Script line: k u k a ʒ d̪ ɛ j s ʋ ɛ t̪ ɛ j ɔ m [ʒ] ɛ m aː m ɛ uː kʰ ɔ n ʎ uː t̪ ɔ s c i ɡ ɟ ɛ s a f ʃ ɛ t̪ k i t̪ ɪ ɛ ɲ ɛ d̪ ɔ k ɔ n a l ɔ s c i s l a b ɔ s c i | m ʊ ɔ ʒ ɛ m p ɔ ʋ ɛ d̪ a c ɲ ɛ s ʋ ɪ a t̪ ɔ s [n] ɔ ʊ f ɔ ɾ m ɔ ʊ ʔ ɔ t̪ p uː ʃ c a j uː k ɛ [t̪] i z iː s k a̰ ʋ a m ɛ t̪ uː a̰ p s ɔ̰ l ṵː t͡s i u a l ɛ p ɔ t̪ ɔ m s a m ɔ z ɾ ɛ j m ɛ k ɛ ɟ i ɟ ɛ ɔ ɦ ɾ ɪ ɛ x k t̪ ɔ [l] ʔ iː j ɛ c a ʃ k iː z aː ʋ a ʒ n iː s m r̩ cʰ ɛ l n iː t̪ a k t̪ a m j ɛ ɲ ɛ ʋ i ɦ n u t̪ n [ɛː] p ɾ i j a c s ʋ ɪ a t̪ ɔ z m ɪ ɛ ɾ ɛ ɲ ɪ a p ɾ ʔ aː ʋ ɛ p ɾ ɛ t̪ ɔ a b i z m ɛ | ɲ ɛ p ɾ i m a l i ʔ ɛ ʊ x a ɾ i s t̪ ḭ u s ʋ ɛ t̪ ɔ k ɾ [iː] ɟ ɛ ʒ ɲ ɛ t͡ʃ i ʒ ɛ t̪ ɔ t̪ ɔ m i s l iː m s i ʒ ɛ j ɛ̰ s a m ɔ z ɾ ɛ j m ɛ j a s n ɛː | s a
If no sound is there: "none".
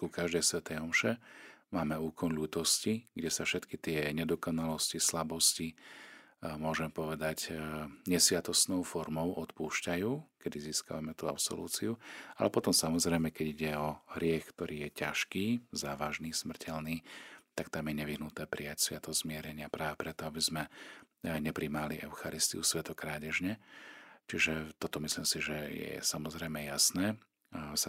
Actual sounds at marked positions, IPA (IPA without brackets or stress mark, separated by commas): ʃ, n, d̪, ɾ, ɛː, aː